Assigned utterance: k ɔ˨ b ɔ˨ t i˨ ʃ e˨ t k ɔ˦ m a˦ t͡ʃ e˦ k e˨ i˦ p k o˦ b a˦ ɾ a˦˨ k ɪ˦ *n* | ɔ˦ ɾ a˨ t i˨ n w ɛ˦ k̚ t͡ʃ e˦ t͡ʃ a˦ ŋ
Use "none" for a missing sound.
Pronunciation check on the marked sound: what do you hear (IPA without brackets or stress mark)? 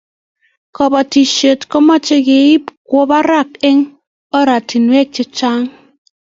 ŋ